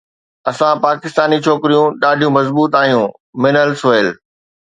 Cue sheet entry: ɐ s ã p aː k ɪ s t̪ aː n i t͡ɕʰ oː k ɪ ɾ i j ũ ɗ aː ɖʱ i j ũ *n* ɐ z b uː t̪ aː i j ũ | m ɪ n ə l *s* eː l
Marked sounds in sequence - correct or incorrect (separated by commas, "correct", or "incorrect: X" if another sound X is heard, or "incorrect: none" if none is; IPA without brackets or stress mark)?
incorrect: m, correct